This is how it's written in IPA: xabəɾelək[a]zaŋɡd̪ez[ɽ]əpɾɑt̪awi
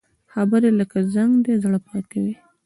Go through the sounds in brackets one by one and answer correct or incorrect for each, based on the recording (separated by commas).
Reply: correct, correct